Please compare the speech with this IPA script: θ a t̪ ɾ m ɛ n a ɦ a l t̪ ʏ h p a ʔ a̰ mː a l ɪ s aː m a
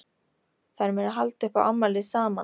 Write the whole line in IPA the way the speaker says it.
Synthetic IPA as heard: θ a ɾ m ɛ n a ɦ a l t̪ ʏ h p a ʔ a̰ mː a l ɪ s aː m a